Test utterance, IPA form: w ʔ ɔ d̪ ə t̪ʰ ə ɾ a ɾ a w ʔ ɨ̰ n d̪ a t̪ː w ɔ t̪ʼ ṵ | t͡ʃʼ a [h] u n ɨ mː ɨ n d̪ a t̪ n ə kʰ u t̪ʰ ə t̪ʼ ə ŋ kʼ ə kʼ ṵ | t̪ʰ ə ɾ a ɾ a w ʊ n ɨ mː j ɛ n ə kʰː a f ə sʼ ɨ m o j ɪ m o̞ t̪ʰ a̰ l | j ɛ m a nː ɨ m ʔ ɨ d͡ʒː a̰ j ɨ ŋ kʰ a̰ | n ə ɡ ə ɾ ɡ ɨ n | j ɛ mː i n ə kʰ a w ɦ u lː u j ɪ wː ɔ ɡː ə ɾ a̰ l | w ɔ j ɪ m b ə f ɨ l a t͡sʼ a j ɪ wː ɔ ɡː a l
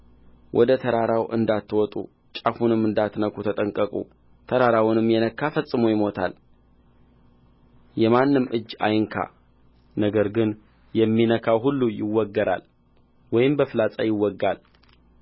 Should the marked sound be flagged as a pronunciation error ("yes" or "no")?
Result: yes